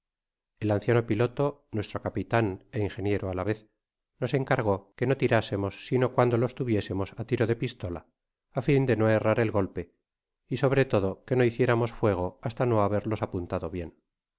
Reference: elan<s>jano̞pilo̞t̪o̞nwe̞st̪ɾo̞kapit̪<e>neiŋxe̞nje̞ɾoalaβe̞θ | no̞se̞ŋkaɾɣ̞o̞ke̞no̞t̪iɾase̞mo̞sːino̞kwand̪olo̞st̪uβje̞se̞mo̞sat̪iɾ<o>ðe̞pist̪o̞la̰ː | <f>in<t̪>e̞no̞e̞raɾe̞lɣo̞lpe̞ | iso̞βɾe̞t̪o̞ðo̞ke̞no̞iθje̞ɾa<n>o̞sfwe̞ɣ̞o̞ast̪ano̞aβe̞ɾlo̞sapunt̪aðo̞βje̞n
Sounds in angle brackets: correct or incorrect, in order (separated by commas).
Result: incorrect, incorrect, correct, correct, incorrect, incorrect